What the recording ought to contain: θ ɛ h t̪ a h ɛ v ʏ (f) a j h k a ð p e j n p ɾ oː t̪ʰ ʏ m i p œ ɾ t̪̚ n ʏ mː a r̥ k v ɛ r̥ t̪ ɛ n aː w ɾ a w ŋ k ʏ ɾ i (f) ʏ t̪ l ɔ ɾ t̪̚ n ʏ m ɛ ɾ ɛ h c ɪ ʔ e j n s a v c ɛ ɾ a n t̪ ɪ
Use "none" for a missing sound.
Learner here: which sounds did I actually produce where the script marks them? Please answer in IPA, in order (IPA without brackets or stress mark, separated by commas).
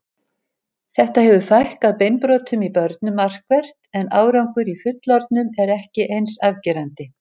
f, f